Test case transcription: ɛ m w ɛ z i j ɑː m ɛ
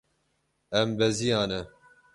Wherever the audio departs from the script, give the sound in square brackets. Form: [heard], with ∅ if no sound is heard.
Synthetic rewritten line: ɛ m [b] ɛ z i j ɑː [n] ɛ